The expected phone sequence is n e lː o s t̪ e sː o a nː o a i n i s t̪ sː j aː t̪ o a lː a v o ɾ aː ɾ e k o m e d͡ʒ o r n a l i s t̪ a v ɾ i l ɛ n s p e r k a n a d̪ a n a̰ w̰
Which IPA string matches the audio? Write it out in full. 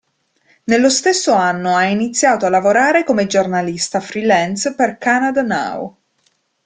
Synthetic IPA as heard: n e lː o s t̪ e sː o a nː o a i n i t̪ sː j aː t̪ o a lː a v o ɾ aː ɾ e k o m e d͡ʒ o r n a l i s t̪ a f ɾ i l ɛ n s p e r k a n a d̪ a n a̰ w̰